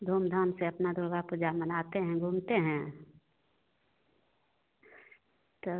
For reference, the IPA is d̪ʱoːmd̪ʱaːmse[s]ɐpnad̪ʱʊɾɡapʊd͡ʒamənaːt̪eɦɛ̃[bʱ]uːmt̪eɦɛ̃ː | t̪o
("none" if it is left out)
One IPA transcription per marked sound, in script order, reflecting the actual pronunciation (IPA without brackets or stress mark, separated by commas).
none, ɡʱ